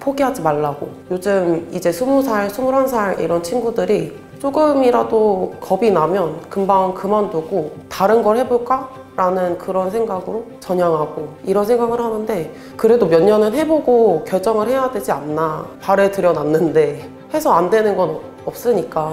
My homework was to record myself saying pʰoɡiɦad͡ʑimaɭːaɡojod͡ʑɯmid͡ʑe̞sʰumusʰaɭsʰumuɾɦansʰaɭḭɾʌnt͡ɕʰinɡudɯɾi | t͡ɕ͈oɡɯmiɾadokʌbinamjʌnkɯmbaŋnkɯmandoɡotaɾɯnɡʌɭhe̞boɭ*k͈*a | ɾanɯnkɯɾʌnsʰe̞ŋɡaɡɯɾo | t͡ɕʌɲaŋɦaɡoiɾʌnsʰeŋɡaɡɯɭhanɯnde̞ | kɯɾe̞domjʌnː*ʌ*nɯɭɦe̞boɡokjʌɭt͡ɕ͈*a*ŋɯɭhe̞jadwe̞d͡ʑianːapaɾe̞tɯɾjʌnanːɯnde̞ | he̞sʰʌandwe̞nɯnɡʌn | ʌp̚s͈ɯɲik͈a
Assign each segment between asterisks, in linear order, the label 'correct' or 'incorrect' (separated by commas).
correct, correct, incorrect